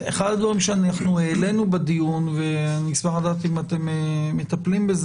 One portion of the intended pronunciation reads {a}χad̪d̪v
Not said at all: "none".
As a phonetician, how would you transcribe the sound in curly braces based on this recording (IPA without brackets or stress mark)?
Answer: e